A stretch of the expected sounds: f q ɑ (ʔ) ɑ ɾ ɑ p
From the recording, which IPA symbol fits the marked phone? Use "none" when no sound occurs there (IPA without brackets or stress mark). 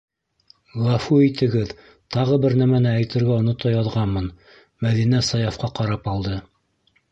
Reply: q